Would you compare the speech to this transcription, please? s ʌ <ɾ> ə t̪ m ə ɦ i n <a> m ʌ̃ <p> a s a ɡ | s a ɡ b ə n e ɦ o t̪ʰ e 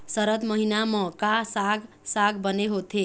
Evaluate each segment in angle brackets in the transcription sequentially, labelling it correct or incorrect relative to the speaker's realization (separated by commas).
correct, correct, incorrect